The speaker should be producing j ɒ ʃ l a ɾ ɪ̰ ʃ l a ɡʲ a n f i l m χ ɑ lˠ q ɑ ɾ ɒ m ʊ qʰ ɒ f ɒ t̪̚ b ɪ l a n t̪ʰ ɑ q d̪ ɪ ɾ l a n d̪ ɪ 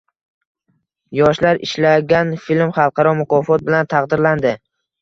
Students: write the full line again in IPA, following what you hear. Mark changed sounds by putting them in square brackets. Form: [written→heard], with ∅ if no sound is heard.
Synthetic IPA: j ɒ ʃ l a ɾ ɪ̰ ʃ l a ɡʲ a n f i l m χ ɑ lˠ q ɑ ɾ ɒ m ʊ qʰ ɒ f ɒ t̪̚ b ɪ l a n t̪ʰ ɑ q d̪ ɪ ɾ l a n d̪ ɪ